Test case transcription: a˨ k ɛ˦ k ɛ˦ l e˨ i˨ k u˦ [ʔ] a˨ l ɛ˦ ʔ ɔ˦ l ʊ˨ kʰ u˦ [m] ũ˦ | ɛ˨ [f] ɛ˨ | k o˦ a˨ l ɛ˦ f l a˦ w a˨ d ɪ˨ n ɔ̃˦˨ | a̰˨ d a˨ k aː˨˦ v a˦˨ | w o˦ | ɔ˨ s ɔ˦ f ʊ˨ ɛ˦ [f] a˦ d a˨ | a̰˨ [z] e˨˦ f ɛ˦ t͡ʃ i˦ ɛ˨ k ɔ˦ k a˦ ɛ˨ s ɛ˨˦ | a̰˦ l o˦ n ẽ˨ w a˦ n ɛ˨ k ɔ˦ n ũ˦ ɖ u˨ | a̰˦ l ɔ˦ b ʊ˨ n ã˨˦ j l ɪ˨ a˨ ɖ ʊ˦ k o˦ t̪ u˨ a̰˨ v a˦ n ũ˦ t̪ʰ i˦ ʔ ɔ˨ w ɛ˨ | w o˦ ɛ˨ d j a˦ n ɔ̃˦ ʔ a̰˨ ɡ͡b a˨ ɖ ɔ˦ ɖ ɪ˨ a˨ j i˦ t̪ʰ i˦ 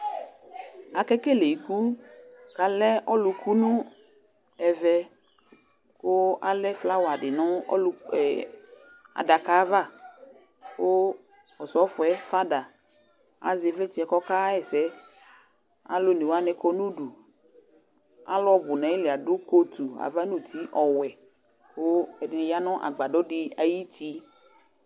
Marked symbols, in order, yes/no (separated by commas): no, no, no, yes, yes